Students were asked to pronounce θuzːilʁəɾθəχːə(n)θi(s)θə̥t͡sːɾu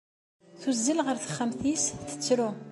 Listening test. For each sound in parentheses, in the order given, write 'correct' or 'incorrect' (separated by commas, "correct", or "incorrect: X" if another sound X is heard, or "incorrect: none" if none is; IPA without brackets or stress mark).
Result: incorrect: m, correct